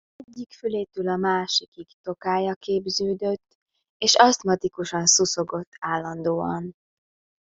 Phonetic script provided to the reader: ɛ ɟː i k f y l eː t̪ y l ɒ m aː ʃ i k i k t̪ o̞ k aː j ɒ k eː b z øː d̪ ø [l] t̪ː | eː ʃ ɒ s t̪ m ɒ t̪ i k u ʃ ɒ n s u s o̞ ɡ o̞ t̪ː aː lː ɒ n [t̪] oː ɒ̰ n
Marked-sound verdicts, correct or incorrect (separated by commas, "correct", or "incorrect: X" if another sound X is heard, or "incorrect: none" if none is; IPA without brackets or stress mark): incorrect: none, incorrect: d̪